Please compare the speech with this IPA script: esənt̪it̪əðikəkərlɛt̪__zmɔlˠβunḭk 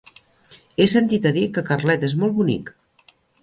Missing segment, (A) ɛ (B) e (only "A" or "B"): B